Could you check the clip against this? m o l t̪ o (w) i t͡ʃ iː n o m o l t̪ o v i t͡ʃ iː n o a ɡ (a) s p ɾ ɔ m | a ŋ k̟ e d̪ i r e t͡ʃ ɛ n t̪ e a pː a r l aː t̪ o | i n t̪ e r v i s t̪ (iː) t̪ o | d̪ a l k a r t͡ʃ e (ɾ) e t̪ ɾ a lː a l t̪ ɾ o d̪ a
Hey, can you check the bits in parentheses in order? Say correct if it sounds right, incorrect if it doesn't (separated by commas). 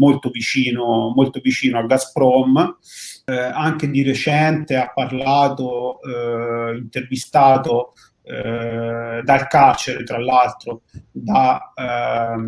incorrect, correct, incorrect, correct